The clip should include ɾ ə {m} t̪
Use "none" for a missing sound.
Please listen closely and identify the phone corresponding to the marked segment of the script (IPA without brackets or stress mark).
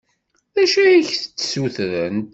n